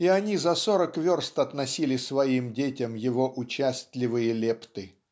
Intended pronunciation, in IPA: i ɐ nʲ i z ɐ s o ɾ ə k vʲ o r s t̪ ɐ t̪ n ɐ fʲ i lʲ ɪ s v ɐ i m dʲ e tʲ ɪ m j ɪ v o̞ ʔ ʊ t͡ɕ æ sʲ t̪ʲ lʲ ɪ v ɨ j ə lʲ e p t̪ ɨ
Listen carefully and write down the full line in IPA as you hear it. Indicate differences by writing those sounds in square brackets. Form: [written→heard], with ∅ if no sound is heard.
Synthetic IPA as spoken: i ɐ nʲ i z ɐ s o ɾ ə k vʲ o r s t̪ ɐ t̪ n ɐ [fʲ→sʲ] i lʲ ɪ s v ɐ i m dʲ e tʲ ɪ m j ɪ v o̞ ʔ ʊ t͡ɕ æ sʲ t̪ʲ lʲ ɪ v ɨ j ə lʲ e p t̪ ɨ